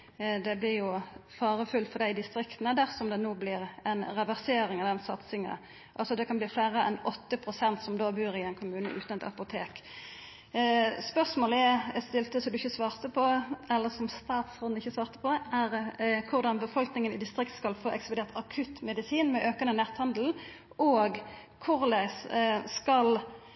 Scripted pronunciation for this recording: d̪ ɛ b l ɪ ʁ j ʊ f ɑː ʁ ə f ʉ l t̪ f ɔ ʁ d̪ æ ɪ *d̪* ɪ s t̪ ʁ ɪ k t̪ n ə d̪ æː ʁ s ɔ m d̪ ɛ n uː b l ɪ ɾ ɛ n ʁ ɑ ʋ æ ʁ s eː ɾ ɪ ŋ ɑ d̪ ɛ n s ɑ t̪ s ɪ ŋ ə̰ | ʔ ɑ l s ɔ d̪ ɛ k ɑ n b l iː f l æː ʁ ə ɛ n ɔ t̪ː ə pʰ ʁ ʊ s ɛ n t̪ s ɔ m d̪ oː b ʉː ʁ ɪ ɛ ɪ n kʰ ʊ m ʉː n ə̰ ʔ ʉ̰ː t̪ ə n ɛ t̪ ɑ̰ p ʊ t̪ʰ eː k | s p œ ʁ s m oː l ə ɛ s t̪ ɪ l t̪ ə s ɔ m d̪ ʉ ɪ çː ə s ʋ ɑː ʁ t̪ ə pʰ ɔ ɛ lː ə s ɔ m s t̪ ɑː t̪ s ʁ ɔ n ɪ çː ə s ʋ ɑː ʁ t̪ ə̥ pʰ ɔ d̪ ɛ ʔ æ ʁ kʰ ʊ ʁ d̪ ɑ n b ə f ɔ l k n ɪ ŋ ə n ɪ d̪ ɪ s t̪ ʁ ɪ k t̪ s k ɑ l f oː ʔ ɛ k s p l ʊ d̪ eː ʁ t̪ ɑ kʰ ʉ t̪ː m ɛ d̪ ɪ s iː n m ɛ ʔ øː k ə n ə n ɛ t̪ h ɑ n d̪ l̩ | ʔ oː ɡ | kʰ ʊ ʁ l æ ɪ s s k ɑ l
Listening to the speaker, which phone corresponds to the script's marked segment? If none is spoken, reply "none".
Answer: d̪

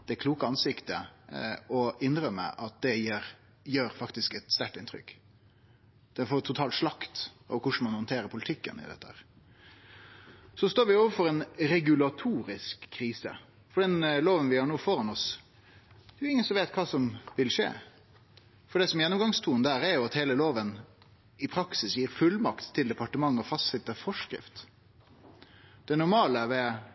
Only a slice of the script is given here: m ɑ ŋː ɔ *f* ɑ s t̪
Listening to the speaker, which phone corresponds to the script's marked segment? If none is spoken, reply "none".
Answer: f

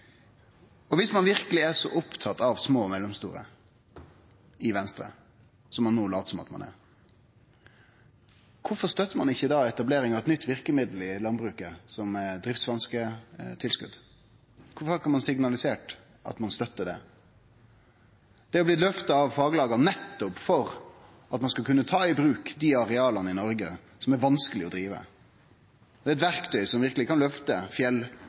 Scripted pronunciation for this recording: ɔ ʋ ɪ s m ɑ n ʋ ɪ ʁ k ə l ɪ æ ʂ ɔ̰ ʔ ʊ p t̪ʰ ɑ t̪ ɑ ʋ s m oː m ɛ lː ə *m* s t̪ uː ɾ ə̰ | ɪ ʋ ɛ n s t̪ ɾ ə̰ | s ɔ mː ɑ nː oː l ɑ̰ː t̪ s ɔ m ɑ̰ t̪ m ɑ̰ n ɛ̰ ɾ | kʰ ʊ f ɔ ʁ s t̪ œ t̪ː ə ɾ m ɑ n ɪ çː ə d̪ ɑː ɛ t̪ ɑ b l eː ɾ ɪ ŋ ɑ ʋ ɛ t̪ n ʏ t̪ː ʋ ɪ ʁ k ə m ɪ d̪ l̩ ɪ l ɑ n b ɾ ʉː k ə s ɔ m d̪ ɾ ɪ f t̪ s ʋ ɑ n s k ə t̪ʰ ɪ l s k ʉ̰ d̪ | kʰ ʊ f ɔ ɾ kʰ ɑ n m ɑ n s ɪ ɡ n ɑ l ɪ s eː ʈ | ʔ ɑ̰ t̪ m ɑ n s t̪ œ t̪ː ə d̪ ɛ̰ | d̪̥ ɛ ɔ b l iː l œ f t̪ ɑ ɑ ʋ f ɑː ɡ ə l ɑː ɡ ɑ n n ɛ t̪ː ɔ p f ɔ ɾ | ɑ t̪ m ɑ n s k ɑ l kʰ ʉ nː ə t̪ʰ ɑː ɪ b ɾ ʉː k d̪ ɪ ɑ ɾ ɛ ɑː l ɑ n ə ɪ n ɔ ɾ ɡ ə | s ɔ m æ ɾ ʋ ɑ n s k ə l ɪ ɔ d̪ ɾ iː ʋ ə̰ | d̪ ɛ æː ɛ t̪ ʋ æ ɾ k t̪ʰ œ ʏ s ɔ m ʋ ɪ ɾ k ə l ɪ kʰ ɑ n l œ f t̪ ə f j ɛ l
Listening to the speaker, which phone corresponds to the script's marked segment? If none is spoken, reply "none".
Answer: m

